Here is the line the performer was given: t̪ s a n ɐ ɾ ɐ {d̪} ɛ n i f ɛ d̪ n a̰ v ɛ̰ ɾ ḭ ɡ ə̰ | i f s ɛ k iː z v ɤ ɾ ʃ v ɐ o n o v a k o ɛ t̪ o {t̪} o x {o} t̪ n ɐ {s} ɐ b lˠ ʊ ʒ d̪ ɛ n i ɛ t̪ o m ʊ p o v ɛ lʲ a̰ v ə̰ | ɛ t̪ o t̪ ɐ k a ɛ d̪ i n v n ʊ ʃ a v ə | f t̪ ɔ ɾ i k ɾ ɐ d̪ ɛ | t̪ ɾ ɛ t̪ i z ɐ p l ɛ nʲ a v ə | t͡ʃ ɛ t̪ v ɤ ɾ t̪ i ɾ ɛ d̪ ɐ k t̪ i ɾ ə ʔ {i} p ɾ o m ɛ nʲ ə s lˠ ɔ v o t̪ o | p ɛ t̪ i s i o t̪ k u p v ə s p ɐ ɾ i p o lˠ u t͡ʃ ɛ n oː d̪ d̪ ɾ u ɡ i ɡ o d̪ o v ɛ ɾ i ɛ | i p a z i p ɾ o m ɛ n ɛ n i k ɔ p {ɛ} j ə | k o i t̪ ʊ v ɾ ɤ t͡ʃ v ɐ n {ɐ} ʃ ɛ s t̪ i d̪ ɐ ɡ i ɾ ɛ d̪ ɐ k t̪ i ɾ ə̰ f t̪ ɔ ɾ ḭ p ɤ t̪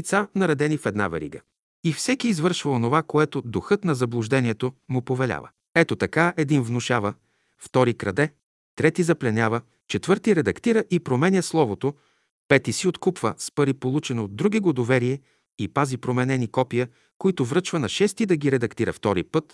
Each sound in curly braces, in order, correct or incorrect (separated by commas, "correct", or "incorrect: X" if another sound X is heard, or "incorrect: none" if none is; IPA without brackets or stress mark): correct, incorrect: d̪, incorrect: ɤ, incorrect: z, correct, incorrect: i, correct